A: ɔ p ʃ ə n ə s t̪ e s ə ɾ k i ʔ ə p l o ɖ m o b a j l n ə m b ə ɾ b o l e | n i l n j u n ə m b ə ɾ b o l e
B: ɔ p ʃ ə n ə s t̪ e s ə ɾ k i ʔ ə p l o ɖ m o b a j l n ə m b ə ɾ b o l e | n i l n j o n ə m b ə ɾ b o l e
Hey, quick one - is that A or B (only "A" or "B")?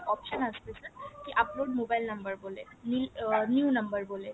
A